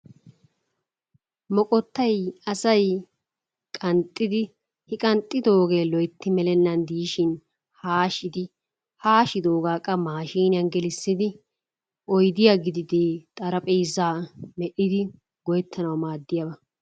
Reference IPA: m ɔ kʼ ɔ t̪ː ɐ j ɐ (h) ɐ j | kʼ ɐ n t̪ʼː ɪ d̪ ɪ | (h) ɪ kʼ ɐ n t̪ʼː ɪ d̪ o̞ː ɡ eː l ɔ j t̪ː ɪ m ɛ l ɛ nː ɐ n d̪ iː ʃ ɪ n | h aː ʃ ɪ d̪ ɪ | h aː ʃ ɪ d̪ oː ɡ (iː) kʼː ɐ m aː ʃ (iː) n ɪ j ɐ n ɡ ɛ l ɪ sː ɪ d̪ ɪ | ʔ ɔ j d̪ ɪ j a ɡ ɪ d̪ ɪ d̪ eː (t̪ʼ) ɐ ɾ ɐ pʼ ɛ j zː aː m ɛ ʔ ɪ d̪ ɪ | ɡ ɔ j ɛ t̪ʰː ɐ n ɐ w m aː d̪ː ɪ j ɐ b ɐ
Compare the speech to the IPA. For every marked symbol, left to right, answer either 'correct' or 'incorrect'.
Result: incorrect, correct, incorrect, correct, correct

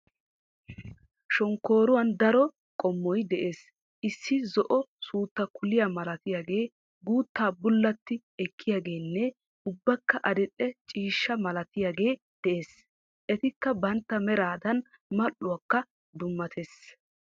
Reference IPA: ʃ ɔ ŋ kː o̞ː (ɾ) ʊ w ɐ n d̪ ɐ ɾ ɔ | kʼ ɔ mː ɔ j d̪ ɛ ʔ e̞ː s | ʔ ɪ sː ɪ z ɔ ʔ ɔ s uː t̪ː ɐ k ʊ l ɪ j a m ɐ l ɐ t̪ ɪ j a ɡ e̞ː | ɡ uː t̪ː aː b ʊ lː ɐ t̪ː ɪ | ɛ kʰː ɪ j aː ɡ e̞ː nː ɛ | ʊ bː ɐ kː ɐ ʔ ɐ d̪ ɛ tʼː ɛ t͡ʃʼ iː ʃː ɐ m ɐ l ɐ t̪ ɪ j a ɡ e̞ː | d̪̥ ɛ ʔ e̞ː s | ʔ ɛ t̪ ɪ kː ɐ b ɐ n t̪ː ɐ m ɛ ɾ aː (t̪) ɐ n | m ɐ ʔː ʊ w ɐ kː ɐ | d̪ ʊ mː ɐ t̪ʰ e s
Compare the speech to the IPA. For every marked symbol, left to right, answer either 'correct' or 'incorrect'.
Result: correct, incorrect

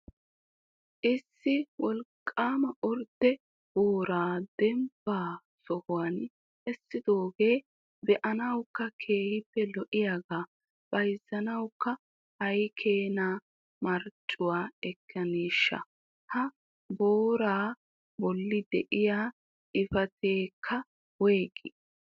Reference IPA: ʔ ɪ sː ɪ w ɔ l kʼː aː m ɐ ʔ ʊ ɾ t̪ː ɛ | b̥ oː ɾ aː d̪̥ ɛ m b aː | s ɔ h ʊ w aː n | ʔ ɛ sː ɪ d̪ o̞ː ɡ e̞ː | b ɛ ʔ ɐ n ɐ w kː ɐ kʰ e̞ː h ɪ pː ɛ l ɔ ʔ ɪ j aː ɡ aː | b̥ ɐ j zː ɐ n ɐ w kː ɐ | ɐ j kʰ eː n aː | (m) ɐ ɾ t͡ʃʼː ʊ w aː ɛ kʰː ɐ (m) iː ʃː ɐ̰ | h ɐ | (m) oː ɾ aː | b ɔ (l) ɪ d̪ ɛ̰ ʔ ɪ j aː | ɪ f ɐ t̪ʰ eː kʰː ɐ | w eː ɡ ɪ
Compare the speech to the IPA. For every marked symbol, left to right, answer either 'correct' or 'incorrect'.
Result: correct, incorrect, incorrect, incorrect

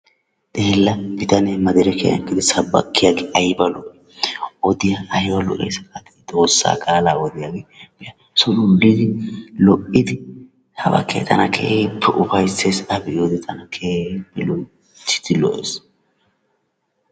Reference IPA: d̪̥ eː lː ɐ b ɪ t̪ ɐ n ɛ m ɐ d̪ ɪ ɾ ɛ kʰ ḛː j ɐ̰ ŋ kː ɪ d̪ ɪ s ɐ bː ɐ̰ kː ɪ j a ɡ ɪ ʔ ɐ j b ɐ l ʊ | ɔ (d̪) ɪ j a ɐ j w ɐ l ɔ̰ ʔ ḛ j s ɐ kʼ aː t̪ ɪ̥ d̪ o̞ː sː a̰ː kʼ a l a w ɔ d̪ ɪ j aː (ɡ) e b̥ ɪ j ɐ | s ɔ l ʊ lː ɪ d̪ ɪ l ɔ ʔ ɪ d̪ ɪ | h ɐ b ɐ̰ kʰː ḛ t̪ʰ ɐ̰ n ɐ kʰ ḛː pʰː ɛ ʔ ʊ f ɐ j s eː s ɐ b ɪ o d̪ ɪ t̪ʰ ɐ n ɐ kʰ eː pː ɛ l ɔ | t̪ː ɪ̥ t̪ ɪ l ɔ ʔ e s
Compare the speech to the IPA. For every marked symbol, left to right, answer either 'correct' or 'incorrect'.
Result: correct, correct

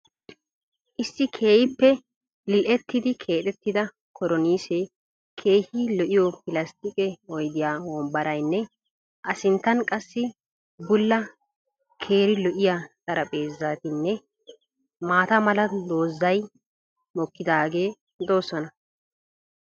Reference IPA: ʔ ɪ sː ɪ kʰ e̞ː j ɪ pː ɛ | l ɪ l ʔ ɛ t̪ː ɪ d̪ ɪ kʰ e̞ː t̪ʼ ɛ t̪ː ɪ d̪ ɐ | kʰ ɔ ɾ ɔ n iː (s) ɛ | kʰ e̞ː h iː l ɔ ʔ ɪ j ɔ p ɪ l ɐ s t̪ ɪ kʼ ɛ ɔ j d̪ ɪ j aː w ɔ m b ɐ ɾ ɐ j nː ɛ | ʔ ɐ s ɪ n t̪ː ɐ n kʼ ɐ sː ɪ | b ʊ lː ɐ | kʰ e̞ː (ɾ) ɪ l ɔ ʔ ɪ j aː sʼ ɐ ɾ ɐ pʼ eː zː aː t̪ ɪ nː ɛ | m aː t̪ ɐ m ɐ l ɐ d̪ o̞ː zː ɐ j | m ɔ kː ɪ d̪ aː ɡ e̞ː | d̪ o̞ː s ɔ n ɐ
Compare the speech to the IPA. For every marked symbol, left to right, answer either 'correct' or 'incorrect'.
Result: correct, correct

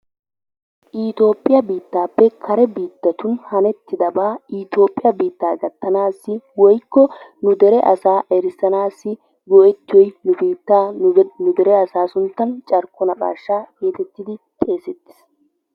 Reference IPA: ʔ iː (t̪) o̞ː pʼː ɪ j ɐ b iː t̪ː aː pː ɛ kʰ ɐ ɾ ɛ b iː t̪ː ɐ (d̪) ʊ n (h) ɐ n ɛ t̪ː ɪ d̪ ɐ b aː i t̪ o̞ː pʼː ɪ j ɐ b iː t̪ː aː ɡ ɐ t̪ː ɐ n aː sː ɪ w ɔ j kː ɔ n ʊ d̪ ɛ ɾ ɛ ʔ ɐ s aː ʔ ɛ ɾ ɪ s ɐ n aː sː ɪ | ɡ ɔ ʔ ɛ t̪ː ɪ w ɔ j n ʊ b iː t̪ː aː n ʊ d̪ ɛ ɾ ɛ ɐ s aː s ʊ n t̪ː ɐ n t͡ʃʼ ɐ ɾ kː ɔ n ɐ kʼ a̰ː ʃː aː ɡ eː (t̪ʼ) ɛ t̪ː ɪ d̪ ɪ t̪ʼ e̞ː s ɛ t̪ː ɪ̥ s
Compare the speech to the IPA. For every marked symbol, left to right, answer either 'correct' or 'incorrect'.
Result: correct, incorrect, correct, incorrect

